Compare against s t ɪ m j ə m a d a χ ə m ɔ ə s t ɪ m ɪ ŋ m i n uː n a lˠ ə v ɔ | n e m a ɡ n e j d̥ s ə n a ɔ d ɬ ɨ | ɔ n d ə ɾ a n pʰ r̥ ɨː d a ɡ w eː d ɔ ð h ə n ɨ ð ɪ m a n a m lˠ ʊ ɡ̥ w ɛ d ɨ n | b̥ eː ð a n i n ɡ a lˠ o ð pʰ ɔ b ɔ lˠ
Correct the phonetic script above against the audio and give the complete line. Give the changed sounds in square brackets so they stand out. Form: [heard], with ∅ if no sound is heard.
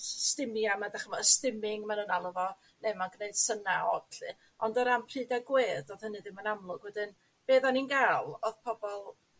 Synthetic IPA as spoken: s t ɪ m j [a] m a d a χ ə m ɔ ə s t ɪ m ɪ ŋ m [a] n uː n a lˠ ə v ɔ | n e m a ɡ n e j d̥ s ə n a ɔ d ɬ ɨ | ɔ n d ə ɾ a [m] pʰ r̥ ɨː d a ɡ w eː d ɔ ð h ə n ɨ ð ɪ m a n a m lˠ ʊ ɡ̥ w ɛ d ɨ n | b̥ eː ð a n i n ɡ a lˠ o ð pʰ ɔ b ɔ lˠ

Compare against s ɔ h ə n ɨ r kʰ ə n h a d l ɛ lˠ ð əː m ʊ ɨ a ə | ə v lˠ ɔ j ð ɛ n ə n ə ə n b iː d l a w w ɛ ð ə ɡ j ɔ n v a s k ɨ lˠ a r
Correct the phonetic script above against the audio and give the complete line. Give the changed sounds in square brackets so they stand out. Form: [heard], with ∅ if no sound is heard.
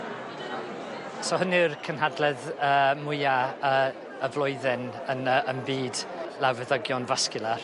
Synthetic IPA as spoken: s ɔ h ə n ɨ r kʰ ə n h a d l ɛ [∅] ð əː m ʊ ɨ a ə | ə v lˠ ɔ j ð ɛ n ə n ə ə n b iː d l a w [v] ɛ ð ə ɡ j ɔ n v a s k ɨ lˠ a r

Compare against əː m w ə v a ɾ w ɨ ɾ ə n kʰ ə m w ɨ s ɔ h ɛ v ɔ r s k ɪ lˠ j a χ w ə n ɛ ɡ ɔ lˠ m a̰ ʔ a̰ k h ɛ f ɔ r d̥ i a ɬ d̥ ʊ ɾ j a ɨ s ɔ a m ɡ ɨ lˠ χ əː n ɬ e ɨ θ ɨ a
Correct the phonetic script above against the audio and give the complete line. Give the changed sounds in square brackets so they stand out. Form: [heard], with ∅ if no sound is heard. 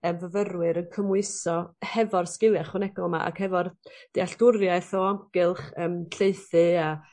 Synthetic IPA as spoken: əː m [v] ə v [ə] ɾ w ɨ ɾ ə n kʰ ə m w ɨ s ɔ h ɛ v ɔ r s k ɪ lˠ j a χ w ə n ɛ ɡ ɔ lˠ m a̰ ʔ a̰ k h ɛ [v] ɔ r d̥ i a ɬ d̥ ʊ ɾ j a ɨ [θ] ɔ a m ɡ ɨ lˠ χ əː [m] ɬ e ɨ θ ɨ a

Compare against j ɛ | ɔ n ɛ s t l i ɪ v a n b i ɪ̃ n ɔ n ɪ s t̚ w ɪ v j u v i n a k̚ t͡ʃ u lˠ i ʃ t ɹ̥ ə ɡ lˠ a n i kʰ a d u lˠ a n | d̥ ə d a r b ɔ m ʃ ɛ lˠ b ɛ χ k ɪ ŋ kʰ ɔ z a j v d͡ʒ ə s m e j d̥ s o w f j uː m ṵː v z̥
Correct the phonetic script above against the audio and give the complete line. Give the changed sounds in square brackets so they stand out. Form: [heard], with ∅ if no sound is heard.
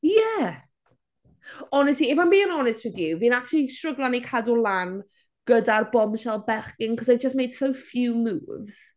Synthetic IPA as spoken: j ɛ | ɔ n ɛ s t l i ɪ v a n b i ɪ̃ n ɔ n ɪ s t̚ w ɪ [ð] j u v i n a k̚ t͡ʃ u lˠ i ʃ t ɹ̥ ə ɡ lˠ a n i kʰ a d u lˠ a n | [ɡ̥] ə d a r b ɔ m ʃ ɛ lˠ b ɛ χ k ɪ ŋ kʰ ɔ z a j v d͡ʒ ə s m e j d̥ s o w f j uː m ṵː v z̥

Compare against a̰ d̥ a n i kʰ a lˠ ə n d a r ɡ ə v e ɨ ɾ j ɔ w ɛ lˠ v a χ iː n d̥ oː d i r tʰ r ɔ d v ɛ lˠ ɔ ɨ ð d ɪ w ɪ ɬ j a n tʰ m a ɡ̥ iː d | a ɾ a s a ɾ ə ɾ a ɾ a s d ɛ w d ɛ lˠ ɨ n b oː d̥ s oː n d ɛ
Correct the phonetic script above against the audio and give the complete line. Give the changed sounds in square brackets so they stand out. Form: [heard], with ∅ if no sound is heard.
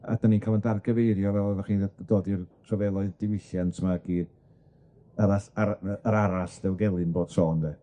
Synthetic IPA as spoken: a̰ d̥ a n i kʰ a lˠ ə n d a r ɡ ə v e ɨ ɾ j ɔ [v] ɛ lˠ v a χ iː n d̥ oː d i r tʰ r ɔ [∅] v ɛ lˠ ɔ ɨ ð d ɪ w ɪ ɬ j a n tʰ m a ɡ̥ iː d | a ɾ a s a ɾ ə ɾ a ɾ a s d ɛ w [ɡ] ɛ lˠ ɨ n b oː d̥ s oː n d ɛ

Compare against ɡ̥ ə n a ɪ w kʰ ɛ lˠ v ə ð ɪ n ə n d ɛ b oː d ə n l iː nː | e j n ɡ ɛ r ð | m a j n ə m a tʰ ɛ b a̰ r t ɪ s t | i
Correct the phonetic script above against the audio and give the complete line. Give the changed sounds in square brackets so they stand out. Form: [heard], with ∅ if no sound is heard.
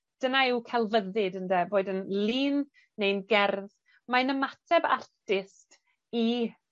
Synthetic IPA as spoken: [d̥] ə n a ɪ w kʰ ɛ lˠ v ə ð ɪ [d] ə n d ɛ b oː d ə n l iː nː | e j n ɡ ɛ r ð | m a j n ə m a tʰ ɛ b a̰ r t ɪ s t | i

